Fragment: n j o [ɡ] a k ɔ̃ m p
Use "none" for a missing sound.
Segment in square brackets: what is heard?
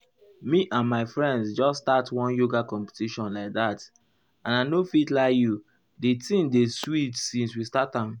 ɡ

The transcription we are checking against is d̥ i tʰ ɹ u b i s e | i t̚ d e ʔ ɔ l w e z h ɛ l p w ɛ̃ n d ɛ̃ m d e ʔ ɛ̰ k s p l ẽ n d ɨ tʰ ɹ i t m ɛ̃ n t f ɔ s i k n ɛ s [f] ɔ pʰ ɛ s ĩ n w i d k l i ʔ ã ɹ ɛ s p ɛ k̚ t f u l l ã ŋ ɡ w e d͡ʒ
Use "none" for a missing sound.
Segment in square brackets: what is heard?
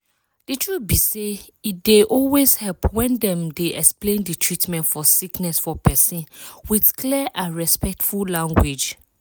f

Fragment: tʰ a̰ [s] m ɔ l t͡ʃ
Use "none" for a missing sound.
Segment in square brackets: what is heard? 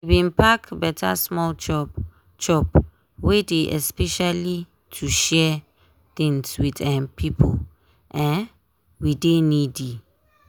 s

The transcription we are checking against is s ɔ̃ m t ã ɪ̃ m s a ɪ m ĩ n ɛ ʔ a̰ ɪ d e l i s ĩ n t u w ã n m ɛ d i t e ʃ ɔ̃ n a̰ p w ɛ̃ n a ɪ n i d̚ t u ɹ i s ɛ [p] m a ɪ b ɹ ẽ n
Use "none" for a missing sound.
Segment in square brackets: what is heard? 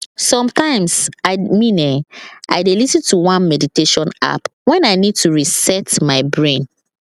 t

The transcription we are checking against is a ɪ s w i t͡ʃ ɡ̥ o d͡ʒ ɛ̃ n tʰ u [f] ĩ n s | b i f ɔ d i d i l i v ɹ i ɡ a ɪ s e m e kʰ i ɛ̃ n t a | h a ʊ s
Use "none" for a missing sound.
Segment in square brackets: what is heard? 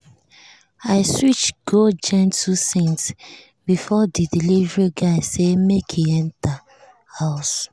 s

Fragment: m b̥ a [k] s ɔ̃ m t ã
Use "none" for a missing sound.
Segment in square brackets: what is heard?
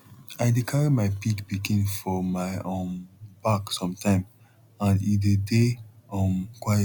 k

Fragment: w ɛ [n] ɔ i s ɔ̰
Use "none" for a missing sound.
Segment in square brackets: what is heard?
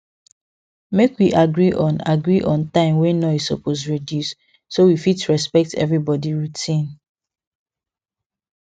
n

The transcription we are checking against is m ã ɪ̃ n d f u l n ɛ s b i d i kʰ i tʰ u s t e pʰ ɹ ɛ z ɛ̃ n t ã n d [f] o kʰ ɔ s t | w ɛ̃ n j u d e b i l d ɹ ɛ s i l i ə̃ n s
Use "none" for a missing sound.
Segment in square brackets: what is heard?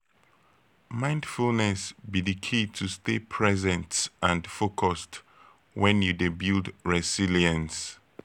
f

